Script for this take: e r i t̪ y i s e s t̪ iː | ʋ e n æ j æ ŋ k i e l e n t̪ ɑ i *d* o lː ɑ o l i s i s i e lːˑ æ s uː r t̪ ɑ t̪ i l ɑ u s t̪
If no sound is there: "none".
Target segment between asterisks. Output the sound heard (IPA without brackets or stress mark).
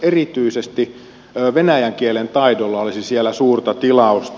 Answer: d